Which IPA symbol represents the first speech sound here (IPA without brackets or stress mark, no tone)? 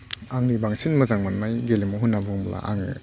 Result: a